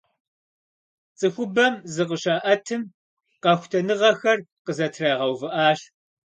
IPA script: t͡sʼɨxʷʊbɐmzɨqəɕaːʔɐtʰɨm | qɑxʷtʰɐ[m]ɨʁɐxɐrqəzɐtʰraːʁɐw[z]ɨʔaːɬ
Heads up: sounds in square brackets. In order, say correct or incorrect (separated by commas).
incorrect, incorrect